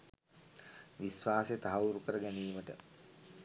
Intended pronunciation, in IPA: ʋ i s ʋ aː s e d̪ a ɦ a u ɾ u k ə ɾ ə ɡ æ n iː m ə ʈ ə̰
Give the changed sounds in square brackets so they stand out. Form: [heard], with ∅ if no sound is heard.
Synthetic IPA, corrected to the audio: ʋ i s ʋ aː s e [t̪] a ɦ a u ɾ u k ə ɾ ə ɡ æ n iː m ə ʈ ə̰